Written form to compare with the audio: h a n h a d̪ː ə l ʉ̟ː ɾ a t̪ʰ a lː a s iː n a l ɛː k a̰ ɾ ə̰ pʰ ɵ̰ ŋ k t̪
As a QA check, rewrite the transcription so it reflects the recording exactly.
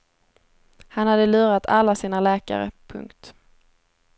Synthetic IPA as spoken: h a n h a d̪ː ə l ʉ̟ː ɾ a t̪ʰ a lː a s iː n a l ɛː k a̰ ɾ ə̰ pʰ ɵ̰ ŋ k t̪

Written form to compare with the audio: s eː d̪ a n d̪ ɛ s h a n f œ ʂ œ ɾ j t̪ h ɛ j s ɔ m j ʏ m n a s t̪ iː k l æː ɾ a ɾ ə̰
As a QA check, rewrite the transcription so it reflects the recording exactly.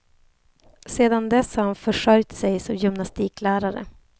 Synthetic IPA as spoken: s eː d̪ a n d̪ ɛ s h a n f œ ʂ œ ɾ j t̪ s ɛ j s ɔ m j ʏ m n a s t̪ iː k l æː ɾ a ɾ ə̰

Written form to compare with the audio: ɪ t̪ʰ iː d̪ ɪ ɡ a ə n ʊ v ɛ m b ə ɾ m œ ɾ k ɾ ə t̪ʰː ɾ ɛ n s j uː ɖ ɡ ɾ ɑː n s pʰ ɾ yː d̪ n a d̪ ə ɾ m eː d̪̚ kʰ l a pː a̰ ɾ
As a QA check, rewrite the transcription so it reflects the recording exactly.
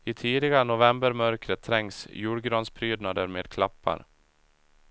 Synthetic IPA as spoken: ɪ t̪ʰ iː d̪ ɪ ɡ a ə n ʊ v ɛ m b ə ɾ m œ ɾ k ɾ ə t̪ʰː ɾ ɛ ŋ s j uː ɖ ɡ ɾ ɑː n s pʰ ɾ yː d̪ n a d̪ ə ɾ m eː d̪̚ kʰ l a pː a̰ ɾ

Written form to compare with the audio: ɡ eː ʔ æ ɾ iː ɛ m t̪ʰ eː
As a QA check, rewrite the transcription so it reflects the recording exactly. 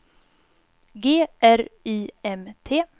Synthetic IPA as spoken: ɡ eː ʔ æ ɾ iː ɛ m t̪ʰ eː

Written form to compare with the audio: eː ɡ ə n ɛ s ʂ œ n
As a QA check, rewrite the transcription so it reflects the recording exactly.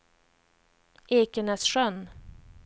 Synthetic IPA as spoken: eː k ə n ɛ s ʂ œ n

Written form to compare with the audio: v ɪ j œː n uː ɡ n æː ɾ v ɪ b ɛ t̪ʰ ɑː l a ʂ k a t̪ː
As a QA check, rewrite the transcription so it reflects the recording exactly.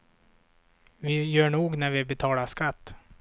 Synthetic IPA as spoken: v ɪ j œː ɳ uː ɡ n æ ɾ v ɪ b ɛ t̪ʰ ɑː l a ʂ k a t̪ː

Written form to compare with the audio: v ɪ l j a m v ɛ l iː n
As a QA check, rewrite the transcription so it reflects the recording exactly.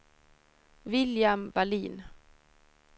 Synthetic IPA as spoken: v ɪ l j a m v a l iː n

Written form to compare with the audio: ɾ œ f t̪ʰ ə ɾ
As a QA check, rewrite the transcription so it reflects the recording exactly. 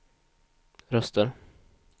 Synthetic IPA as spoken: ɾ œ s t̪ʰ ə ɾ

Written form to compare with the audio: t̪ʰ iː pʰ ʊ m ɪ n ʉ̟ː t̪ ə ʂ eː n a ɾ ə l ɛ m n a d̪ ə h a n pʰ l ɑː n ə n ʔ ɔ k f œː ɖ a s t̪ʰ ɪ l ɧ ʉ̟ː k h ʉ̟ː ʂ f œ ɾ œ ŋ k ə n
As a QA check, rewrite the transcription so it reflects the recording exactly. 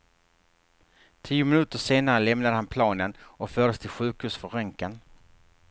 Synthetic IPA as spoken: t̪ʰ iː ʊ m ɪ n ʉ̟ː t̪ ə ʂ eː n a ɾ ə l ɛ m n a d̪ ə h a n pʰ l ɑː n ə n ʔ ɔ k f œː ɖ ə s t̪ʰ ɪ l ɧ ʉ̟ː k h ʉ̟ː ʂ f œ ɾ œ ŋ k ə n

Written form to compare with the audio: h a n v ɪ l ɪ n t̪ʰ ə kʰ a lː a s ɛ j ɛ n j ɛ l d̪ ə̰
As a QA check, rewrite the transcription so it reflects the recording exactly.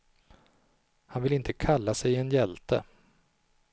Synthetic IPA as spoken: h a n v ɪ l ɪ n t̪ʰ ə kʰ a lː a s ɛ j ɛ n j ɛ l t̪ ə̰

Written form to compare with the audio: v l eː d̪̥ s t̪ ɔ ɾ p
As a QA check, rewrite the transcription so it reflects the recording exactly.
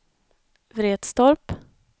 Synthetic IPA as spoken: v ɾ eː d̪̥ s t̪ ɔ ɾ p

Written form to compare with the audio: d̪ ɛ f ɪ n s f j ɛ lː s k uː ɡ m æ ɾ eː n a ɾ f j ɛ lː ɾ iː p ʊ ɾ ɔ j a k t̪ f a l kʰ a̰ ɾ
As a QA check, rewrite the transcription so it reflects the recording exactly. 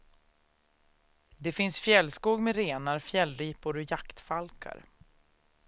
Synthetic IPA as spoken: d̪ ɛ f ɪ n s f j ɛ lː s k uː ɡ m ɛ ɾ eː n a ɾ f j ɛ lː ɾ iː p ʊ ɾ ɔ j a k t̪ f a l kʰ a̰ ɾ

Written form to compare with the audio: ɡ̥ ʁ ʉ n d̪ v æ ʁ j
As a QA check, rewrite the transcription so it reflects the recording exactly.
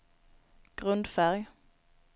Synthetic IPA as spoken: ɡ̥ ʁ ʉ n d̪ f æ ʁ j

